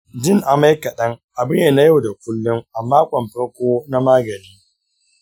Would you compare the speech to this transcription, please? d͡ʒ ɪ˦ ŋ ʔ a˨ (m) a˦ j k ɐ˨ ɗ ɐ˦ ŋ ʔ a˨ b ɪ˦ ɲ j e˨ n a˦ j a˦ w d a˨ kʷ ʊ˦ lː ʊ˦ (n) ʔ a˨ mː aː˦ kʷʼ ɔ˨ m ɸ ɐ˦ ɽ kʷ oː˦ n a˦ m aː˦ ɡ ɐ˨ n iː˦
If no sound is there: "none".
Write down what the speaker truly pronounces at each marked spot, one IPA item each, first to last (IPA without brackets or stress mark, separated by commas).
m, ŋ